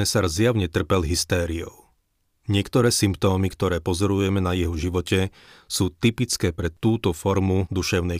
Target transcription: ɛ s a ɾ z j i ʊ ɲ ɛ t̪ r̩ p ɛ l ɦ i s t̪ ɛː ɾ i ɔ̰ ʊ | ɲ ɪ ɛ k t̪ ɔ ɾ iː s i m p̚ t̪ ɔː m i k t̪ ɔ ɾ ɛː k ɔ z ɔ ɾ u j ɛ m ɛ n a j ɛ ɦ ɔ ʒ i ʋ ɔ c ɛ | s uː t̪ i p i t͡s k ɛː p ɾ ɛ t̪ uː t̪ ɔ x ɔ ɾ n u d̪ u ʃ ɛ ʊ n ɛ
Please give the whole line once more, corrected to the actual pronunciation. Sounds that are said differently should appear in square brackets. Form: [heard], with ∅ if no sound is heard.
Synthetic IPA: ɛ s a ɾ z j [a] ʊ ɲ ɛ t̪ r̩ p ɛ l ɦ i s t̪ ɛː ɾ i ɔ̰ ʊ | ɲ ɪ ɛ k t̪ ɔ ɾ [ɛː] s i m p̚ t̪ ɔː m i k t̪ ɔ ɾ ɛː [p] ɔ z ɔ ɾ u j ɛ m ɛ n a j ɛ ɦ ɔ ʒ i ʋ ɔ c ɛ | s uː t̪ i p i t͡s k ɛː p ɾ ɛ t̪ uː t̪ ɔ [f] ɔ ɾ [m] u d̪ u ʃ ɛ ʊ n ɛ